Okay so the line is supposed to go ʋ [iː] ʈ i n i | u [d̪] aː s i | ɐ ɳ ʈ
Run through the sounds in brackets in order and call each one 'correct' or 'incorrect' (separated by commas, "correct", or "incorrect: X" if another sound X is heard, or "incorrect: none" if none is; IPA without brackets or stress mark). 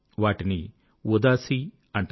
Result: incorrect: aː, correct